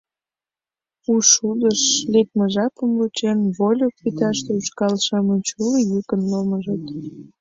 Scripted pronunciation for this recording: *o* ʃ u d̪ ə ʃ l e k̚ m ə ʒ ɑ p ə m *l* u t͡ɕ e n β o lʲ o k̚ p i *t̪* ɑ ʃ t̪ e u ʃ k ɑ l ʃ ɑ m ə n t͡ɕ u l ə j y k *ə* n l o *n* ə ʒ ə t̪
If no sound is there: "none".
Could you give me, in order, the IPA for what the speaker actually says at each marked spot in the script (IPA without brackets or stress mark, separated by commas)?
u, l, t̪, ə, m